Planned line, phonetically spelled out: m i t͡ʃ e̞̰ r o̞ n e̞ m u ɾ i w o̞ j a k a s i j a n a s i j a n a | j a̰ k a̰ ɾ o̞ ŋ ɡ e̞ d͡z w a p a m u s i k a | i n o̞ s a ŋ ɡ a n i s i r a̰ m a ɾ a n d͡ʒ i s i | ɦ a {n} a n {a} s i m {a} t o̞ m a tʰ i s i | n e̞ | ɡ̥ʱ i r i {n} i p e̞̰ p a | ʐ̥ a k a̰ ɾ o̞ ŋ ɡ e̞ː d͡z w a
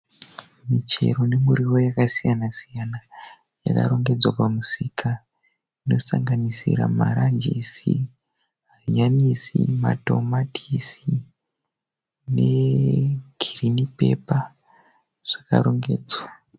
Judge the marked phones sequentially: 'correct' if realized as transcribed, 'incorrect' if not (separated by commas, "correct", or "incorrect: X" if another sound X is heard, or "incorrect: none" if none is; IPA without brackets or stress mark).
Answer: incorrect: ɲ, incorrect: i, correct, correct